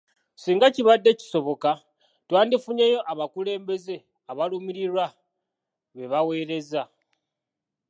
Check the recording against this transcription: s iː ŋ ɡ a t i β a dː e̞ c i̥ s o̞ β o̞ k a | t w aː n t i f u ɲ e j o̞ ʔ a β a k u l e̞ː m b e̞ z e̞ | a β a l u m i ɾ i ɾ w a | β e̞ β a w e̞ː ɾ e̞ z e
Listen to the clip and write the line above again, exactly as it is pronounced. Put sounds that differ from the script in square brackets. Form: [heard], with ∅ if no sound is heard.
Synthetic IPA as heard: s iː ŋ ɡ a [c] i β a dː e̞ c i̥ s o̞ β o̞ k a | t w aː n [d] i f u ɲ e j o̞ ʔ a β a k u l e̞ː m b e̞ z e̞ | a β a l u m i ɾ i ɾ w a | β e̞ β a w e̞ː ɾ e̞ z [a]